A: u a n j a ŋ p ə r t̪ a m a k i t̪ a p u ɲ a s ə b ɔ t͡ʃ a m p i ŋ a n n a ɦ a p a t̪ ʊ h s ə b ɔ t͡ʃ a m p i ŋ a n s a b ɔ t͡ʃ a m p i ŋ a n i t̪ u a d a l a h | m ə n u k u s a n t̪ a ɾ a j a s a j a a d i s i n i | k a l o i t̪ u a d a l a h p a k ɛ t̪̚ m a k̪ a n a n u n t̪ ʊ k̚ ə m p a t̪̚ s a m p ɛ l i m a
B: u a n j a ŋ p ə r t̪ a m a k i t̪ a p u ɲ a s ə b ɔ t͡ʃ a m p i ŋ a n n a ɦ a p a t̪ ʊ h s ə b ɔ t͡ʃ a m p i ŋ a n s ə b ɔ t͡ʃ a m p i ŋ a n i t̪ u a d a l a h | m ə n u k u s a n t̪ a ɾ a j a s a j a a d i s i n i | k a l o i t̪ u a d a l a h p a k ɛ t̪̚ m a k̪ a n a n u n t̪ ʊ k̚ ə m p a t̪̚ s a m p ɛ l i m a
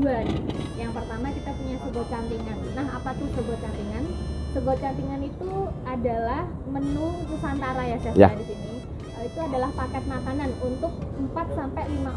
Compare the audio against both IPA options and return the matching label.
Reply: B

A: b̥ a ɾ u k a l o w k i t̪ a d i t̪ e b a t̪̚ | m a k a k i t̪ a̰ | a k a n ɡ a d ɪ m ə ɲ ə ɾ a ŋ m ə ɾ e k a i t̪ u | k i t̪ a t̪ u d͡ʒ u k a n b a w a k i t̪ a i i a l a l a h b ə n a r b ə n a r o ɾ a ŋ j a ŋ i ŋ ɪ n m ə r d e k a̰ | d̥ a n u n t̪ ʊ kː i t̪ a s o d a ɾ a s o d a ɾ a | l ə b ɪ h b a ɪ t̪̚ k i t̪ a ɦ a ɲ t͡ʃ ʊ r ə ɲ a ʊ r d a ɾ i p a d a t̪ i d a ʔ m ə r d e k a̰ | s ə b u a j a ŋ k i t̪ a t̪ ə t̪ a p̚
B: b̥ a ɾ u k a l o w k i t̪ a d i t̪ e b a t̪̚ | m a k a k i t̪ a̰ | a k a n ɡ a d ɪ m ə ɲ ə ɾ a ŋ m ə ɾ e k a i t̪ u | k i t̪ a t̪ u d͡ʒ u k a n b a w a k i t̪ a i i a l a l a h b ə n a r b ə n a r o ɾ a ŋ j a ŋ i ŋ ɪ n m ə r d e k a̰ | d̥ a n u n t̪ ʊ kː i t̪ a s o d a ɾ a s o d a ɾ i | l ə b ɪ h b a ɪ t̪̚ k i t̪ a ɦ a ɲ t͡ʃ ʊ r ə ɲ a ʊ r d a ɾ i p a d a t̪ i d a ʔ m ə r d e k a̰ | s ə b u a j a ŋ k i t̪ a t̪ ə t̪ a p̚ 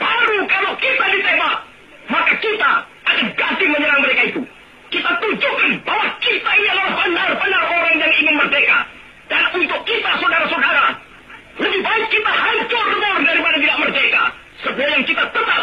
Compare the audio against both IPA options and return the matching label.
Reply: A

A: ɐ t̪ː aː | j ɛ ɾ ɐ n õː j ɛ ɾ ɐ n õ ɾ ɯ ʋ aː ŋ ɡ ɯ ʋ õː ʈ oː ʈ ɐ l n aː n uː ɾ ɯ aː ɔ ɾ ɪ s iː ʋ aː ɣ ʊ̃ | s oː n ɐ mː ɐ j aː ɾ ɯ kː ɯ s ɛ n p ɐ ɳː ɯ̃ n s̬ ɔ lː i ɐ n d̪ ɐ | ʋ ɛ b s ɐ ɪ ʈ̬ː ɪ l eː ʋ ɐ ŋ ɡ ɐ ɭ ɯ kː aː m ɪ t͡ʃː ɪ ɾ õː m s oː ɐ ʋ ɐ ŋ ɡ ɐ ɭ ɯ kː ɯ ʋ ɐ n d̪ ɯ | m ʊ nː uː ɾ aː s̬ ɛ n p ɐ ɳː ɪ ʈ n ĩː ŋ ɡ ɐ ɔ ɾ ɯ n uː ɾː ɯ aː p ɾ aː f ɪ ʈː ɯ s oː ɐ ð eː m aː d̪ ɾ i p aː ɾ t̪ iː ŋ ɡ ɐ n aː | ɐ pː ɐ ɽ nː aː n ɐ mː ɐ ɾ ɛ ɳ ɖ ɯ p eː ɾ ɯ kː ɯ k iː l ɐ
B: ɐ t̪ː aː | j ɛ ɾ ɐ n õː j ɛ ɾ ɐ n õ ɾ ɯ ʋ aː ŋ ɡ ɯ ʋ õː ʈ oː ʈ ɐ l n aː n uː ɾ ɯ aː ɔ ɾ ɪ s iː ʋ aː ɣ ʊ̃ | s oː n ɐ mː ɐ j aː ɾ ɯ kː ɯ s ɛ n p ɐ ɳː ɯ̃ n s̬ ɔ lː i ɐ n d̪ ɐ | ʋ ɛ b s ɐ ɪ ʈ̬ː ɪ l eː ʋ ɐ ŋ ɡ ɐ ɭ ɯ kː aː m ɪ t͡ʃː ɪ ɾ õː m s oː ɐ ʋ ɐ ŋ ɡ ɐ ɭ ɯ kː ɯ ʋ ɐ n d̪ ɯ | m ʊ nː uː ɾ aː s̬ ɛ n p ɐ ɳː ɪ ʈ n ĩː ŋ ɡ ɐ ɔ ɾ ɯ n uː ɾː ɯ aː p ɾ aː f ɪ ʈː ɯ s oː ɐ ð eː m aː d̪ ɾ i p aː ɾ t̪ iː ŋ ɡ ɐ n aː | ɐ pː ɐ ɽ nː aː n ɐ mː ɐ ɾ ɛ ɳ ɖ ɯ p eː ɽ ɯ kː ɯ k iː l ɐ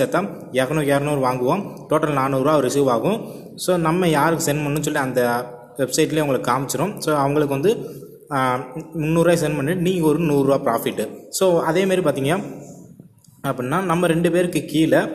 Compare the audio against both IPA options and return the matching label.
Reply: A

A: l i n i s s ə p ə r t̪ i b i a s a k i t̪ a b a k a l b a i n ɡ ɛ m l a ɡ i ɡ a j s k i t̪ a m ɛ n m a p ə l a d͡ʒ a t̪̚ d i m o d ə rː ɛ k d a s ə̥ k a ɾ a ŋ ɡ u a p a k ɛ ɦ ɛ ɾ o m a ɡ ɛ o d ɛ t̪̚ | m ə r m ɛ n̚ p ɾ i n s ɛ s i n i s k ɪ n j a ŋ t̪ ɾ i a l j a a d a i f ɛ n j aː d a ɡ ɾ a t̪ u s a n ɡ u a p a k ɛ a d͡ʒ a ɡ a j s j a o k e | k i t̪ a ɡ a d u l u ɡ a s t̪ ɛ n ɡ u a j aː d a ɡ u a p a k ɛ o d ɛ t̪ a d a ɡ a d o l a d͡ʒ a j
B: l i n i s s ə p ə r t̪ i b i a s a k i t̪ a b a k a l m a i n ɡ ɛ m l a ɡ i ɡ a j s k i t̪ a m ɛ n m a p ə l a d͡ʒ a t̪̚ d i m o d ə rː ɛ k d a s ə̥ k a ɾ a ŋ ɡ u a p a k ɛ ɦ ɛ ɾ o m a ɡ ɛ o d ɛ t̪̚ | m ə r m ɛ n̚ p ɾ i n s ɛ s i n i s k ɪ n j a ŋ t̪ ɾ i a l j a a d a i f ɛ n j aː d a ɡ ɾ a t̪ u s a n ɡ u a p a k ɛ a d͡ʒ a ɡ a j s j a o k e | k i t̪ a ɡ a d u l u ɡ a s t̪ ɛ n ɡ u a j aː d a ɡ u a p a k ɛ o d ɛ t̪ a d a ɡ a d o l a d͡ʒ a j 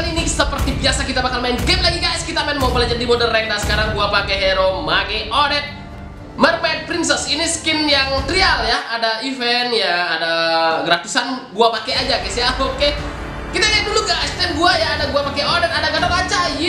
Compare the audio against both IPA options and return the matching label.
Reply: B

